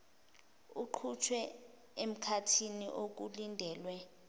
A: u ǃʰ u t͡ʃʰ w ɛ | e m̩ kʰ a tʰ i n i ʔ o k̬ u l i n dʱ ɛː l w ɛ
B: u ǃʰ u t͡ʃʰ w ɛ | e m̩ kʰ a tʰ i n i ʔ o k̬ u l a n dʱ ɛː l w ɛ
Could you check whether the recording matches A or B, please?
A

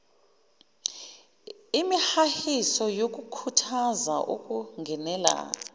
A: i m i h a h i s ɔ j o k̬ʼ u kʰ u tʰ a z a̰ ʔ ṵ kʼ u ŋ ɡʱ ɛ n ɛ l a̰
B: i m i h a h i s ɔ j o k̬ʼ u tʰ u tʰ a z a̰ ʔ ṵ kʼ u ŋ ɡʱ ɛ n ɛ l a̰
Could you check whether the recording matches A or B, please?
A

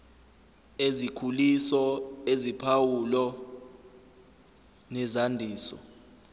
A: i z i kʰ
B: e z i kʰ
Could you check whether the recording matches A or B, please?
B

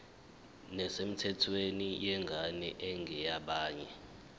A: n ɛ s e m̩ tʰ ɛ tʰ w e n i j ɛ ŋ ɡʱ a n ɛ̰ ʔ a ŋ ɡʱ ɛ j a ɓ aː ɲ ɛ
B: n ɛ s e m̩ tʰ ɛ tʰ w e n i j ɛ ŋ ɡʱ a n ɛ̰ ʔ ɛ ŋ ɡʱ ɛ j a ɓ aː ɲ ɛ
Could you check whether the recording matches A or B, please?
B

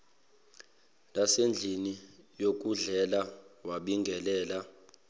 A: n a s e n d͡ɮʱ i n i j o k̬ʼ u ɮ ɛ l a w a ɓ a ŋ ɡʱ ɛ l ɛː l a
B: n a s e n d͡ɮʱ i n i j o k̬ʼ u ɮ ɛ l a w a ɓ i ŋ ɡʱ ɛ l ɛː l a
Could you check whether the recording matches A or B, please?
B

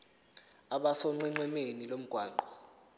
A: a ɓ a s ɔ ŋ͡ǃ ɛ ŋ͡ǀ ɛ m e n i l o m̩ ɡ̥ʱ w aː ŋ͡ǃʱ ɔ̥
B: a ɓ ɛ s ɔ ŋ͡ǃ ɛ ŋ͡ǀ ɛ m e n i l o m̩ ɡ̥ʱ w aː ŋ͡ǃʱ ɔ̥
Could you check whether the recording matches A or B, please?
A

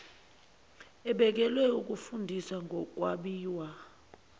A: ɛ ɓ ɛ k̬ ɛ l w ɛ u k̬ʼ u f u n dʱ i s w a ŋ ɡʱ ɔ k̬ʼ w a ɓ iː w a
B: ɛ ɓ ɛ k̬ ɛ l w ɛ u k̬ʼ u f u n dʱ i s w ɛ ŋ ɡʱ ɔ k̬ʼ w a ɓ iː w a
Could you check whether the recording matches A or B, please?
A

